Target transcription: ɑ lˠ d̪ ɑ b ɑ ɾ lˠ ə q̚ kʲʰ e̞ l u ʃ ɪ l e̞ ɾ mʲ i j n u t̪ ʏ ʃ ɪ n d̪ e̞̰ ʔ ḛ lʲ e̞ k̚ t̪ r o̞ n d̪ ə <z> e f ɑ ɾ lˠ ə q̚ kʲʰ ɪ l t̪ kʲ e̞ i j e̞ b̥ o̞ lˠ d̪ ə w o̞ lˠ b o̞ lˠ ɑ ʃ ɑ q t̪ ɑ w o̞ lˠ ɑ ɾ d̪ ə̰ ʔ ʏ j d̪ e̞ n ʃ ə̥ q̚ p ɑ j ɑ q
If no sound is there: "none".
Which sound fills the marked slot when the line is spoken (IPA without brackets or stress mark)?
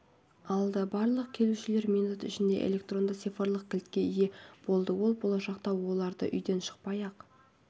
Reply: s